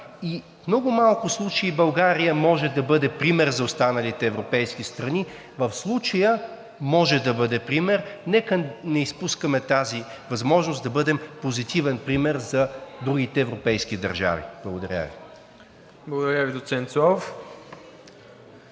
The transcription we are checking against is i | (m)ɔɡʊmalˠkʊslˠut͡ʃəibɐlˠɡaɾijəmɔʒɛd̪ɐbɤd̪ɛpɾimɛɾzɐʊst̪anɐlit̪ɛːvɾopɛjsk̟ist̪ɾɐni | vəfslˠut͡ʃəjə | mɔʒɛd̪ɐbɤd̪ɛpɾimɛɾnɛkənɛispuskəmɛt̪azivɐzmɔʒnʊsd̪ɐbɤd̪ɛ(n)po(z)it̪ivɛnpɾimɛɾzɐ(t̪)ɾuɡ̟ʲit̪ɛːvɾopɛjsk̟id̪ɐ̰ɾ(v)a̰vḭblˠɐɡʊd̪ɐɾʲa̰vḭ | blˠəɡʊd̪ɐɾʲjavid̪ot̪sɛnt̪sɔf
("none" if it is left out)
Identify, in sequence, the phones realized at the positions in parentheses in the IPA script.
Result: n, m, z, d̪, ʒ

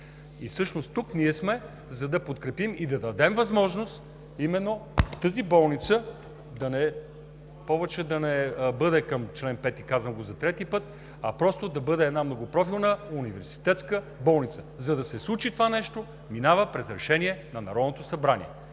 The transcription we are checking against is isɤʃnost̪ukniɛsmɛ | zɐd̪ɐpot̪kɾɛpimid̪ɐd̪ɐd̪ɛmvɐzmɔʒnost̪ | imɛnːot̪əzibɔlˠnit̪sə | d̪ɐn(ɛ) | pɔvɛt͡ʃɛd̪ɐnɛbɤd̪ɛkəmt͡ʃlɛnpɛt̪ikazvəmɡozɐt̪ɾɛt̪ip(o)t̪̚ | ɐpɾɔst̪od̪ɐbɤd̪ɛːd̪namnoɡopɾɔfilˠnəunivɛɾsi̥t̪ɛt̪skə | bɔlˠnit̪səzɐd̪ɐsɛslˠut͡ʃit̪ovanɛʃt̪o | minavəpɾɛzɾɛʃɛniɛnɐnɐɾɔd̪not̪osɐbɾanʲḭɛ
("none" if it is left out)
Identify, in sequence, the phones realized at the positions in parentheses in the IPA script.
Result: ɛ, ɤ

